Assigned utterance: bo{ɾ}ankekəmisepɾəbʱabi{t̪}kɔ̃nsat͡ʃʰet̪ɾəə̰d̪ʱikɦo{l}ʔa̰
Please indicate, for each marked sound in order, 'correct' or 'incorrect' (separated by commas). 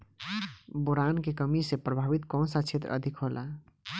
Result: correct, correct, correct